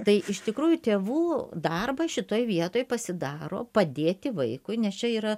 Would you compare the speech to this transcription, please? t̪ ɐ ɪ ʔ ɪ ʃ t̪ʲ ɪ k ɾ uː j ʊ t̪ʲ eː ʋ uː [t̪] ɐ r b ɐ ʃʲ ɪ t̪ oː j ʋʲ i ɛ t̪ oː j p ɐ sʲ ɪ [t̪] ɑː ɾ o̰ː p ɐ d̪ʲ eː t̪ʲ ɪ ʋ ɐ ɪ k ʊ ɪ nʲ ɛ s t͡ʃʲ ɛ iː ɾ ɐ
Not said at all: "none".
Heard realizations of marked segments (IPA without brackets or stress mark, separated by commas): d̪, d̪